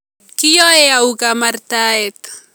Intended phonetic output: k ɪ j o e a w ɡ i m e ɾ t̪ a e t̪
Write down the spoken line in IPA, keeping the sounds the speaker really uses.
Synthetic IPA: k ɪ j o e a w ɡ a m a ɾ t̪ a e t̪